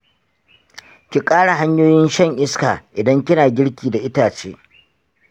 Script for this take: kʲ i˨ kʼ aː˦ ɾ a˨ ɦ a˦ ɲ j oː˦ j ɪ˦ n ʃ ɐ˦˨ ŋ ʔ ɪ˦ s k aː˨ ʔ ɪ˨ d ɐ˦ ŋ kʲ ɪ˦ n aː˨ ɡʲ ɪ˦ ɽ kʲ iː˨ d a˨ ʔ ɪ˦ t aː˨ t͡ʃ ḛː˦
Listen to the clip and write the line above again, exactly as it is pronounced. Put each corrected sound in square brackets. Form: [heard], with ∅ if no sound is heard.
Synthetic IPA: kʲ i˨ kʼ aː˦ [ɽ] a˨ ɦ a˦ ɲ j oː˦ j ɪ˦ n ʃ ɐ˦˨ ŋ ʔ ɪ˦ s k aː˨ ʔ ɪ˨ d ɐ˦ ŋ kʲ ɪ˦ n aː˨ ɡʲ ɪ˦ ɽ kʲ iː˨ d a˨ ʔ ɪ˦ t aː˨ t͡ʃ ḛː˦